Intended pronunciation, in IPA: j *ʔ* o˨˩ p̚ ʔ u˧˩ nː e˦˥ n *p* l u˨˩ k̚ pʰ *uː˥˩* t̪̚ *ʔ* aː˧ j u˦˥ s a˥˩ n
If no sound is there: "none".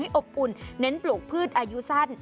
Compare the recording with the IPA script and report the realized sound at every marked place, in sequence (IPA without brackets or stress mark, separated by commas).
ʔ, p, ɯː˥˩, ʔ